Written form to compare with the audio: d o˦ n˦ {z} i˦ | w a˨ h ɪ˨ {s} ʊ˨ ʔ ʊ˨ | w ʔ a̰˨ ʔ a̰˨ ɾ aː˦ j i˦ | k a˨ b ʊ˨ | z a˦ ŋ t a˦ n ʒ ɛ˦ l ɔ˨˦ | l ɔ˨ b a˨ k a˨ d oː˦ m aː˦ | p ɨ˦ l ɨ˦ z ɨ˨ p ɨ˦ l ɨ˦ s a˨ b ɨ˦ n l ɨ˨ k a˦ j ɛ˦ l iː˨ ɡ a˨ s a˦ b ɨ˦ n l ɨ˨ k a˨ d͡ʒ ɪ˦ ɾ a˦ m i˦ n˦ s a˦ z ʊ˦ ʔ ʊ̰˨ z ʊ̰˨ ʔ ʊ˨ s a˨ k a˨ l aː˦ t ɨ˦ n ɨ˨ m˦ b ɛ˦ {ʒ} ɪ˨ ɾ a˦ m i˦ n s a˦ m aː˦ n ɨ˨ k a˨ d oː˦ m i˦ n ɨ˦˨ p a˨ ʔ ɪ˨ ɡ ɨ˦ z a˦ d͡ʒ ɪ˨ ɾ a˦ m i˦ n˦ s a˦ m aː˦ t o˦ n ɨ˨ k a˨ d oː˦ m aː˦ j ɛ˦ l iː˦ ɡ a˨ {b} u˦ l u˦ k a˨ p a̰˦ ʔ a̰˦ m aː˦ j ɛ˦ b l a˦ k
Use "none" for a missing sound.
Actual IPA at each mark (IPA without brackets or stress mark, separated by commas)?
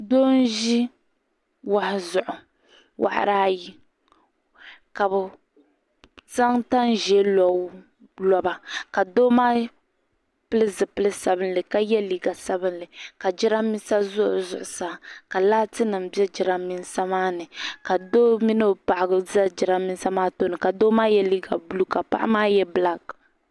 ʒ, z, d͡ʒ, b